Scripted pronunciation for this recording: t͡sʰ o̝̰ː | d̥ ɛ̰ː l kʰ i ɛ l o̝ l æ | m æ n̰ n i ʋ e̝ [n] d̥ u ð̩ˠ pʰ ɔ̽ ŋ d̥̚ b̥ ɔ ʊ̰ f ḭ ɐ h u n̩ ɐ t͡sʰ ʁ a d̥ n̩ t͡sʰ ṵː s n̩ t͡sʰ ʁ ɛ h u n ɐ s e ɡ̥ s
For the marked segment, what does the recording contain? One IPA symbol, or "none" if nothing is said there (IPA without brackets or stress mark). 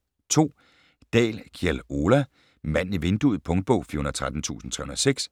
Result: n